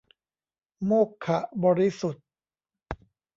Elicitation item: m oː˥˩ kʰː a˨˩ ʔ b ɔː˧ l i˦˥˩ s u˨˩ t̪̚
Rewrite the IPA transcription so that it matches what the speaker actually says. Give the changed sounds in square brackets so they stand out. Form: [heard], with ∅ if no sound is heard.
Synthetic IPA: m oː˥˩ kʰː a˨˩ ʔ b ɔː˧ [ɾ] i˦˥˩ s u˨˩ t̪̚